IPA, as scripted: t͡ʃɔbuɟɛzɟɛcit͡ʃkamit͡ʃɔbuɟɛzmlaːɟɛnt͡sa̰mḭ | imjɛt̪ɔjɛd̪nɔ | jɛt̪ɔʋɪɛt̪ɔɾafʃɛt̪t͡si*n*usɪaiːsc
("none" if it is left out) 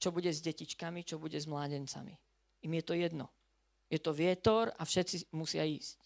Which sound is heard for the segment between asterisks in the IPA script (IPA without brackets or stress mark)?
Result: m